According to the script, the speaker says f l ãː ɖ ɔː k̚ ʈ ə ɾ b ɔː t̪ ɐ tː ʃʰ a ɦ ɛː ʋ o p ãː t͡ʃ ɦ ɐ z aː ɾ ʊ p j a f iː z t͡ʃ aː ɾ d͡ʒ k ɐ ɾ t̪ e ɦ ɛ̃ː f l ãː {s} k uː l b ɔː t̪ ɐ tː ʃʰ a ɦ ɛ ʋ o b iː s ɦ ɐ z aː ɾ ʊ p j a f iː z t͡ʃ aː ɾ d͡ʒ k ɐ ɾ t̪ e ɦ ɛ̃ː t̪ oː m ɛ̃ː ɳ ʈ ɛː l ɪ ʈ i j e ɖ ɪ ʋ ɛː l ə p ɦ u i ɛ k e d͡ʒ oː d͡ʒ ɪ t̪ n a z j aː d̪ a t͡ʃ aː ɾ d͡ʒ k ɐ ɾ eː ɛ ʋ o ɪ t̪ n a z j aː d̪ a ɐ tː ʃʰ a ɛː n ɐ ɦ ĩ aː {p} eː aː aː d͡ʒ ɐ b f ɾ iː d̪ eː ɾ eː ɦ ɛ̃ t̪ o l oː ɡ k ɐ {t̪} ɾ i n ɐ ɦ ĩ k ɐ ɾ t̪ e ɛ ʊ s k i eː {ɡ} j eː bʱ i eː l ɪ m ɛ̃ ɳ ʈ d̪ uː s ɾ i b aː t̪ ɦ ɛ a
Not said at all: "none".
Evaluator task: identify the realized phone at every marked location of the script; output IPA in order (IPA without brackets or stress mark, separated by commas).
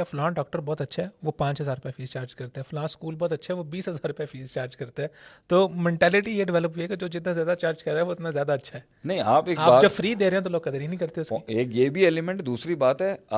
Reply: s, p, d̪, k